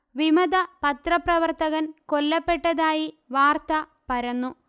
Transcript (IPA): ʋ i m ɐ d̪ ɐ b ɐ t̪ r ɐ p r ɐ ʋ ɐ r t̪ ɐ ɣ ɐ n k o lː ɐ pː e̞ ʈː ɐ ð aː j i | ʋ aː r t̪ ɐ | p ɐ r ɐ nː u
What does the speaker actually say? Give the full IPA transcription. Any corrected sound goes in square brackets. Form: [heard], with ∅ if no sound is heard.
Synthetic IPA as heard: ʋ i m ɐ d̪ ɐ [p] ɐ t̪ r ɐ p r ɐ ʋ ɐ r t̪ ɐ ɣ ɐ n k o lː ɐ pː e̞ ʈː ɐ ð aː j i | ʋ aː r t̪ ɐ | p ɐ [ɾ] ɐ nː u